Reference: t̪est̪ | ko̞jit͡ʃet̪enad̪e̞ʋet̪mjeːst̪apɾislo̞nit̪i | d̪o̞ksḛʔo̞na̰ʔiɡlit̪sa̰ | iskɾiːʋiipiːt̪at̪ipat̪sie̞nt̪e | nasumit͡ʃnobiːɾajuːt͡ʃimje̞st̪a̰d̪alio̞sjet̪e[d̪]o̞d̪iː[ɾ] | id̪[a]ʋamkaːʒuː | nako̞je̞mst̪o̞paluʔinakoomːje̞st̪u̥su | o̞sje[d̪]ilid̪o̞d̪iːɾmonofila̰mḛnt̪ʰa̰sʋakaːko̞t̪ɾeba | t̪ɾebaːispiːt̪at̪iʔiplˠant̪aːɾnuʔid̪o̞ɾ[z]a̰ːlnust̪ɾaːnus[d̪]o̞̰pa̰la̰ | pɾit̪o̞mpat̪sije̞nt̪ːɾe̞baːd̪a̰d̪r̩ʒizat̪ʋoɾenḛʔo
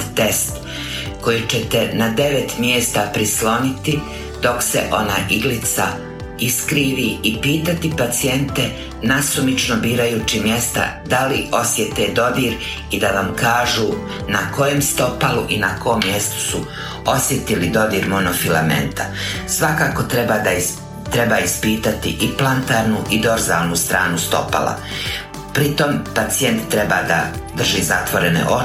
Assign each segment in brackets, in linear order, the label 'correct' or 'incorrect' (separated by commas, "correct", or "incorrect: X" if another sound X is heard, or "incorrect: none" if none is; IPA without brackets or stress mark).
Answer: correct, correct, correct, incorrect: t̪, correct, incorrect: t̪